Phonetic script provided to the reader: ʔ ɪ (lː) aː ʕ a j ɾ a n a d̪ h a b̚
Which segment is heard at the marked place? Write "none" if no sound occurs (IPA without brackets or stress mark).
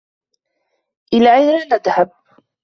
l